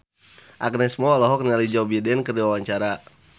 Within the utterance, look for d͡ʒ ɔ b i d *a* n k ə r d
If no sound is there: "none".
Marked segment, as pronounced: ɛ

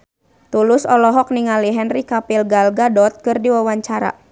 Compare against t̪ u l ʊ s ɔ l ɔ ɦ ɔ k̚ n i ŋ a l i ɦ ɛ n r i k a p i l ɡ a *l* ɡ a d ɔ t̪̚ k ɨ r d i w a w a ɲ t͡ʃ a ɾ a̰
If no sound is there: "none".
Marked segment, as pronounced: l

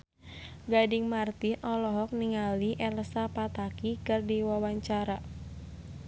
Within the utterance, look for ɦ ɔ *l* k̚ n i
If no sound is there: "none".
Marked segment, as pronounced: none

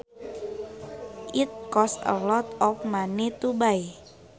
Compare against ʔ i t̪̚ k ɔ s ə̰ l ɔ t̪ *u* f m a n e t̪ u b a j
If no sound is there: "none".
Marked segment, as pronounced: ɔ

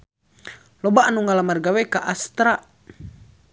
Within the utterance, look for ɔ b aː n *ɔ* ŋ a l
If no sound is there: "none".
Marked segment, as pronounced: u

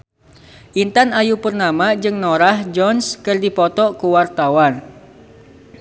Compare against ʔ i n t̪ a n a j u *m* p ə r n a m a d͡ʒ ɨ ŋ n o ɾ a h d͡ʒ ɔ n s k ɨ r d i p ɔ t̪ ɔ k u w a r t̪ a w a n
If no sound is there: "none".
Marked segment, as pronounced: none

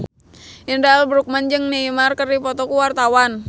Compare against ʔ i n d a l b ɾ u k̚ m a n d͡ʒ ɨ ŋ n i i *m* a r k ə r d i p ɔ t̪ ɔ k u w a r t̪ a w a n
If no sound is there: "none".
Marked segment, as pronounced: m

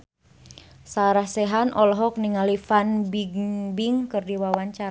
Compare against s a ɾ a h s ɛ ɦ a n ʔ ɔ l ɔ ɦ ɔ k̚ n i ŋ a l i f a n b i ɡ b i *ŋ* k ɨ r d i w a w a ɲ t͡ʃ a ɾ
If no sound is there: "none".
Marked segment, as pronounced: ŋ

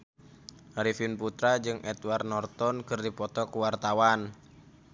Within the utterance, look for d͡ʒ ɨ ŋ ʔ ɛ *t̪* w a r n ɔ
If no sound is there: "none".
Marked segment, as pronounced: t̪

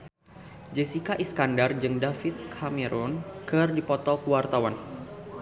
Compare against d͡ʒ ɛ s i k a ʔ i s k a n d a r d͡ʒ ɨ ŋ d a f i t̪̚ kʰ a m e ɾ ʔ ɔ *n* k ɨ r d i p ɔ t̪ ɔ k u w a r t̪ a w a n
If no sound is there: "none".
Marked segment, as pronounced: n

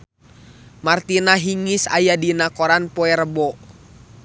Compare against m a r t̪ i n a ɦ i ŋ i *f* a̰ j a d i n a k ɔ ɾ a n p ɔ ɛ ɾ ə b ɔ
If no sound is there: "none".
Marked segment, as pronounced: s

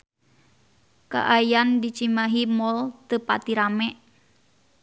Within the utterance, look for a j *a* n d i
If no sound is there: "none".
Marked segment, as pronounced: a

